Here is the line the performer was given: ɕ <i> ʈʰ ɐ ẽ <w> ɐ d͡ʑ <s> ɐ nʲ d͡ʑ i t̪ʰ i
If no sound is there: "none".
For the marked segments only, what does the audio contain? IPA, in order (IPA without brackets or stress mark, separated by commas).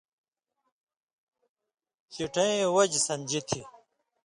i, w, s